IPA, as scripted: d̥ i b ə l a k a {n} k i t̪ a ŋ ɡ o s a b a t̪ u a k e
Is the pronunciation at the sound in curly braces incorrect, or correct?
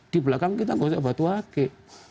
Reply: incorrect